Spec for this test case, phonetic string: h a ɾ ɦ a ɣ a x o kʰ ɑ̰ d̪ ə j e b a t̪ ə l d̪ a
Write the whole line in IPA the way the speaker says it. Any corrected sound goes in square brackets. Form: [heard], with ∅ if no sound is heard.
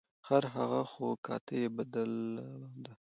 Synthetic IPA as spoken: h a ɾ ɦ a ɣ a x o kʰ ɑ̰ [t̪] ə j e b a [d̪] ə l d̪ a

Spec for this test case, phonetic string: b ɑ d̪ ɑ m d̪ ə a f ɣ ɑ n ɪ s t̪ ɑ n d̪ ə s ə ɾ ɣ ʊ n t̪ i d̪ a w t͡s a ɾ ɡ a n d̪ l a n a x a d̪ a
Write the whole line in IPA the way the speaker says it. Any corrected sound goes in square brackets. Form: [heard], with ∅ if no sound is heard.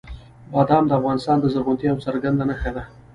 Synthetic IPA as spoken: b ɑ d̪ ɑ m d̪ ə a f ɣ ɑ n ɪ s t̪ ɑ n d̪ ə [z] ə ɾ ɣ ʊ n t̪ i [∅] a w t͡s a ɾ ɡ a n d̪ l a n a x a d̪ a

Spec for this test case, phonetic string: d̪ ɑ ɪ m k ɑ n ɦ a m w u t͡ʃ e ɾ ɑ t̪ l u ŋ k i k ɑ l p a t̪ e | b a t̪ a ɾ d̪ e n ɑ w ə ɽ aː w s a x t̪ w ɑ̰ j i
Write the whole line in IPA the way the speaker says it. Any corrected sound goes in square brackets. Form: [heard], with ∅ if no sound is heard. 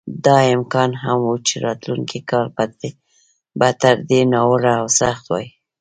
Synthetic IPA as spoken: d̪ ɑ ɪ m k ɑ n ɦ a m w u t͡ʃ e ɾ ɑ t̪ l u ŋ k i k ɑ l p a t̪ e | b a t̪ a ɾ d̪ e n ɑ w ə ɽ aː w s a x t̪ w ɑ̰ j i

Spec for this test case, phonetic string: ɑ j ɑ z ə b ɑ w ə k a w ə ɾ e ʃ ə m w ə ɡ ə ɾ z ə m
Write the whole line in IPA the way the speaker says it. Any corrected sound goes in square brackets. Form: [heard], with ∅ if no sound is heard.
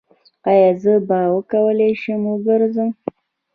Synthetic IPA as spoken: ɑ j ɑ z ə b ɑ w ə k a w ə [l] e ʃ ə m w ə ɡ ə ɾ z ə m

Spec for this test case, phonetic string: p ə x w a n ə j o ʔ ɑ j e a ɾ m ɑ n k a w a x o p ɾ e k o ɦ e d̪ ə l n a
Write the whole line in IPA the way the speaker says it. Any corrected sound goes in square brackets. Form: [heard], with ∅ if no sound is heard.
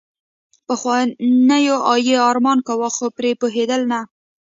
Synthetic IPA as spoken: p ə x w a n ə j o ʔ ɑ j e [ɑ] ɾ m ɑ n k a w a x o p ɾ e [p] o ɦ e d̪ ə l n a

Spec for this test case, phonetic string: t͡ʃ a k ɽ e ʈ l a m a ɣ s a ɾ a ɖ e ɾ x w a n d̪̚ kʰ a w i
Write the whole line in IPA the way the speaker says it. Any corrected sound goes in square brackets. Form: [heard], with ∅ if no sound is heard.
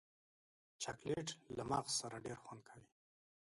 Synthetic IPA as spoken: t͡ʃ a k [l] e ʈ l a m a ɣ s a ɾ a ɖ e ɾ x w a n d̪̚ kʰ a w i

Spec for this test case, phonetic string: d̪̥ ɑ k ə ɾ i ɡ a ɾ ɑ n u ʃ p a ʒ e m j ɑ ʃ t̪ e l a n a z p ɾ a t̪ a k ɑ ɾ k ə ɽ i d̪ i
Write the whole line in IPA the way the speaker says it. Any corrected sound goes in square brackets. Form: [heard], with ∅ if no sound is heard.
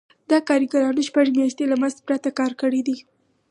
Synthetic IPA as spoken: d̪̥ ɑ k [ɑ] ɾ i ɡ a ɾ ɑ n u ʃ p a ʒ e m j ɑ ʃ t̪ e l a [m] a z p ɾ a t̪ a k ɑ ɾ k ə ɽ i d̪ i

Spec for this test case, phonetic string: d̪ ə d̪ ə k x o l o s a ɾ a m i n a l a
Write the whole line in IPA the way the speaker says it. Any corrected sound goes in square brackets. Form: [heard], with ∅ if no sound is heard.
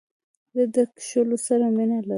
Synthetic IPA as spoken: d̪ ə d̪ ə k [ʃ] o l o s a ɾ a m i n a l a

